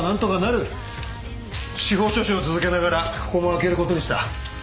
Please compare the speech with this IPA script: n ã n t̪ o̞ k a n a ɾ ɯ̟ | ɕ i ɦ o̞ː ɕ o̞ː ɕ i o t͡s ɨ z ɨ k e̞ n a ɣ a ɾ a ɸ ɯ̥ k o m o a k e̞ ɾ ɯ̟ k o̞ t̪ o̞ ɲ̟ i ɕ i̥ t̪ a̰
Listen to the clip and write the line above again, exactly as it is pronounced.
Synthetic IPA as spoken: n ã n t̪ o̞ k a n a ɾ ɯ̟ | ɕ i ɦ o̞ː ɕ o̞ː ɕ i o t͡s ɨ z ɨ k e̞ n a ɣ a ɾ a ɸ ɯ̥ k o m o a k e̞ ɾ ɯ̟ k o̞ t̪ o̞ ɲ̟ i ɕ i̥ t̪ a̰